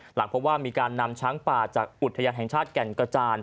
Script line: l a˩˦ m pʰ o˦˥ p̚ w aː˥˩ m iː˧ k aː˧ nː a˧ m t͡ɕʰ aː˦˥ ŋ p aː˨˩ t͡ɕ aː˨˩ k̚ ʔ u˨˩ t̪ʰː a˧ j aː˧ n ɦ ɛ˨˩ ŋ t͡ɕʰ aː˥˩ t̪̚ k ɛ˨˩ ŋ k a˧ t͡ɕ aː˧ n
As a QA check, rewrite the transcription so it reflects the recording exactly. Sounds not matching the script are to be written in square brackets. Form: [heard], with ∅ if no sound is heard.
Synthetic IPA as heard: l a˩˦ [ŋ] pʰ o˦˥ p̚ w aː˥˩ m iː˧ k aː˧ nː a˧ m t͡ɕʰ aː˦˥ ŋ p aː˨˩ t͡ɕ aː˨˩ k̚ ʔ u˨˩ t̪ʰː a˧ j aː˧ n ɦ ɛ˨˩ ŋ t͡ɕʰ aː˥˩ t̪̚ k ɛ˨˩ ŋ k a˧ t͡ɕ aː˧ n